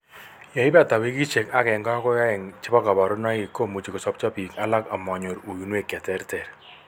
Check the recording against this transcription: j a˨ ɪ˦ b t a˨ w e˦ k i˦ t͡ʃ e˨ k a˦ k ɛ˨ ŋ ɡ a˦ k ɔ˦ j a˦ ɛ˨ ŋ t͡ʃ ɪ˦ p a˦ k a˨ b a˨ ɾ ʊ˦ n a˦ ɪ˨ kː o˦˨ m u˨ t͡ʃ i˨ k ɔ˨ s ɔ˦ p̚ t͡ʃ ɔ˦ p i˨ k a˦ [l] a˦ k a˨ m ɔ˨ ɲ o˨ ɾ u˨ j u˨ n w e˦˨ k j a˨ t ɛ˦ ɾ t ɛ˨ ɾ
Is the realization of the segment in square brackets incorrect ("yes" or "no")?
no